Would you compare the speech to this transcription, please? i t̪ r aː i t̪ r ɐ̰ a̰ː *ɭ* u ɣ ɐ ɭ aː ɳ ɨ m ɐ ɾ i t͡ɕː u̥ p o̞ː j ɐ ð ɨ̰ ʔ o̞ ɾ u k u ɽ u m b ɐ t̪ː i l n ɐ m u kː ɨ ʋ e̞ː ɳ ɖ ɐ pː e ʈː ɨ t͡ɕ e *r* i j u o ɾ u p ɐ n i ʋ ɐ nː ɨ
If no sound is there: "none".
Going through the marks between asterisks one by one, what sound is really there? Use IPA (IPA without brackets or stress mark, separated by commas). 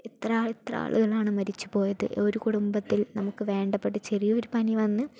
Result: ɭ, r